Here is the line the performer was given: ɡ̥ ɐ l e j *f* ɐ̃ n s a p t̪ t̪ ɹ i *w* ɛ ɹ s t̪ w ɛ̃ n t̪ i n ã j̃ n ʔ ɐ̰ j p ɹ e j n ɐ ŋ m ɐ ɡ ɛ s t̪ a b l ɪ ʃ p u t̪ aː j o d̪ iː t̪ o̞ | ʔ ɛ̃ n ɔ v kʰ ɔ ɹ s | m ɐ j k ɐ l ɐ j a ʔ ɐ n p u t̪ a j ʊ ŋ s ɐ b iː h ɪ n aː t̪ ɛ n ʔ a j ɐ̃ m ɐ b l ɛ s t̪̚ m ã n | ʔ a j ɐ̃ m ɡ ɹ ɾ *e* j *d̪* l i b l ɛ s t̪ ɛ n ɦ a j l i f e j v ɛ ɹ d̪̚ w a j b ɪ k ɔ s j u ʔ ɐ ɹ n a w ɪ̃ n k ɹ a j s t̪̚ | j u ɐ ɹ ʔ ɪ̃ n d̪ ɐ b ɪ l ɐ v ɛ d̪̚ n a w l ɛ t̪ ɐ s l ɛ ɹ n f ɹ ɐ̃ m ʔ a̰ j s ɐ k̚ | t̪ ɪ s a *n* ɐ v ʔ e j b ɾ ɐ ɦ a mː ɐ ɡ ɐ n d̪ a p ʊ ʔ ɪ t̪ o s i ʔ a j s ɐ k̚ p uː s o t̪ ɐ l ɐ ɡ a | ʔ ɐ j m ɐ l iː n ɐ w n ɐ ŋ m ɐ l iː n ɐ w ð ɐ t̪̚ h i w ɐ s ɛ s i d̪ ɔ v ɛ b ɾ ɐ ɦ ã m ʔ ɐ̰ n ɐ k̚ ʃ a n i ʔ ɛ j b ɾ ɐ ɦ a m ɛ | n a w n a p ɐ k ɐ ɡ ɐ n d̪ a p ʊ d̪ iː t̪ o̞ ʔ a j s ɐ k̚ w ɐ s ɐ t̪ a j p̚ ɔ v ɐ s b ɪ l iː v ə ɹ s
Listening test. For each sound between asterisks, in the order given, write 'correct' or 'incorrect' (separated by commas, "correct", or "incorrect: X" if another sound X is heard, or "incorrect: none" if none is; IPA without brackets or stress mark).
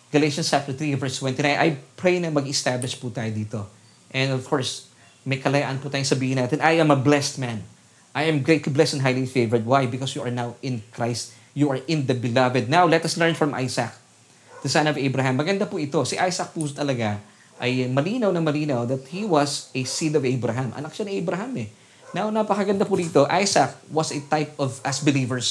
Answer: incorrect: ʃ, incorrect: v, correct, incorrect: t̪, correct